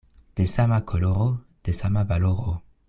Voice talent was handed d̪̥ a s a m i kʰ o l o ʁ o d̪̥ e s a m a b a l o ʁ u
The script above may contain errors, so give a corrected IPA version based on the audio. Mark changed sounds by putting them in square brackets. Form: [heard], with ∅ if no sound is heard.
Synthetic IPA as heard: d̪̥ [e] s a m [a] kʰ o l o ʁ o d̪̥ e s a m a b a l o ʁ [o]